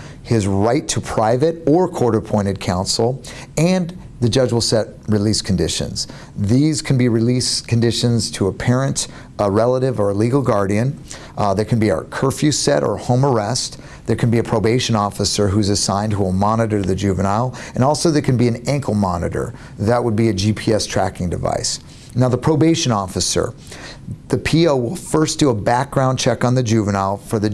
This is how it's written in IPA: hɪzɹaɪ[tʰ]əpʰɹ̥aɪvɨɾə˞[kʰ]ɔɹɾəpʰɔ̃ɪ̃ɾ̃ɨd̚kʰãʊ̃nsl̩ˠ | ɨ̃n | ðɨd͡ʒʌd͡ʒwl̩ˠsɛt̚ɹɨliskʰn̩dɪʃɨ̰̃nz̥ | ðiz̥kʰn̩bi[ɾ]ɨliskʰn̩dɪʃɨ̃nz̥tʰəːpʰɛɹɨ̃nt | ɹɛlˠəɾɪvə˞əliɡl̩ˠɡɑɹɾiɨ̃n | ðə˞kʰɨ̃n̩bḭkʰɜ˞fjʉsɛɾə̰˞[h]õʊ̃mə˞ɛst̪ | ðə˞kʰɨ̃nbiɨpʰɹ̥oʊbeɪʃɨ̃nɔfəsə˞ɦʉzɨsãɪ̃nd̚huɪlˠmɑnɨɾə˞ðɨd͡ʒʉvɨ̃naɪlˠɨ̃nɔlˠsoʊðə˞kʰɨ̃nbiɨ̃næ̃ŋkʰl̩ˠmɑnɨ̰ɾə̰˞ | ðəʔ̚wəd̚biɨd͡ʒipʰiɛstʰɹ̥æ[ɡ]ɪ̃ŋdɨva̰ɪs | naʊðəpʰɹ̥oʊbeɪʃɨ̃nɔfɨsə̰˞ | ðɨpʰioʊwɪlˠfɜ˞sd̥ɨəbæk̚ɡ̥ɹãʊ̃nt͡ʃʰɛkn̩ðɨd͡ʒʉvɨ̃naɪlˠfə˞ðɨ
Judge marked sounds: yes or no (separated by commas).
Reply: yes, yes, no, yes, no